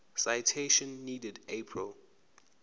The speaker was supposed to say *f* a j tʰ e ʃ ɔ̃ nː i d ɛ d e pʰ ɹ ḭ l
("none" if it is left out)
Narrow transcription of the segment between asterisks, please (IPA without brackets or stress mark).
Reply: s